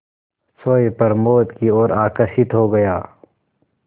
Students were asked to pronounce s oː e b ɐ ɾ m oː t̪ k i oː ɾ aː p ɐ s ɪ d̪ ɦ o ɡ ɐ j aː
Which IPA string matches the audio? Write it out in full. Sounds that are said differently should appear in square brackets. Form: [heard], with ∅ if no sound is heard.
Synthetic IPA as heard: s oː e [p] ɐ ɾ m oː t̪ k i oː ɾ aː [k] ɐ s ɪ [t̪] ɦ o ɡ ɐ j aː